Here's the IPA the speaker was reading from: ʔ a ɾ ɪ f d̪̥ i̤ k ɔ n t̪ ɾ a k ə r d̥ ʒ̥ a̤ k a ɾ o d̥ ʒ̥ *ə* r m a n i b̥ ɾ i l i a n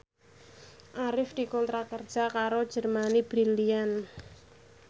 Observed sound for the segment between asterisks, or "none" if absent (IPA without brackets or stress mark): ə